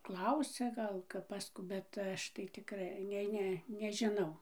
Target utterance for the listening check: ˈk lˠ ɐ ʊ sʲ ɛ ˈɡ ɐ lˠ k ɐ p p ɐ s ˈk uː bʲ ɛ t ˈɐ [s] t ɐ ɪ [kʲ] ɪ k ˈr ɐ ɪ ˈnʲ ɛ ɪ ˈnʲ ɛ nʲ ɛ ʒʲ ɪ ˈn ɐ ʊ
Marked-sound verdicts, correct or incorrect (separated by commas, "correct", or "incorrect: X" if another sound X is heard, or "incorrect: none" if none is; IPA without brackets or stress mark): incorrect: ʃ, incorrect: tʲ